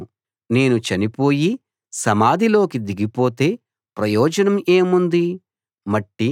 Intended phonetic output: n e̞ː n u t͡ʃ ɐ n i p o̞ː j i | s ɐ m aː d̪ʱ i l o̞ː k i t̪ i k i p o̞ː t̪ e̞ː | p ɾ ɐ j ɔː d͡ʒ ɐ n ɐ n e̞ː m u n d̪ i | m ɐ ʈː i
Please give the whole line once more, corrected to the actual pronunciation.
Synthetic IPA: n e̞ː n u t͡ʃ ɐ n i p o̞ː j i | s ɐ m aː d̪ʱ i l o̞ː k i d̪ i ɡ i p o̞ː t̪ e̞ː | p ɾ ɐ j ɔː d͡ʒ ɐ n ɐ m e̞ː m u n d̪ i | m ɐ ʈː i